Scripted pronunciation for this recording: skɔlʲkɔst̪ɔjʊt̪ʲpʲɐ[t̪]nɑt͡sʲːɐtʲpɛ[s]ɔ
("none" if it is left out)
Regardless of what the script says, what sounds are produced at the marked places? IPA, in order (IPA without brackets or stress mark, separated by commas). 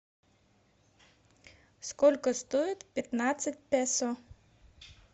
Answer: t̪, s